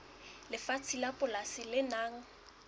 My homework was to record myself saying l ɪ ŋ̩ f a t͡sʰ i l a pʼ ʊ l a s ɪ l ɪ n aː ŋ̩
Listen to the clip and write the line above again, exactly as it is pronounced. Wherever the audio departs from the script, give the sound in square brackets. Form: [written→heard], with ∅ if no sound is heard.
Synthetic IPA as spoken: l ɪ [ŋ̩→∅] f a t͡sʰ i l a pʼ ʊ l a s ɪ l ɪ n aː ŋ̩